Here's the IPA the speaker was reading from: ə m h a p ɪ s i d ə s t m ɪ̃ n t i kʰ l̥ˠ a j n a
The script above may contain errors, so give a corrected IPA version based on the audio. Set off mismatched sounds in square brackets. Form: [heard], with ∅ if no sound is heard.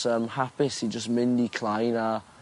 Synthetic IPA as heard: ə m h a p ɪ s i [d͡ʒ] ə s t m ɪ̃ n [d] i kʰ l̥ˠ a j n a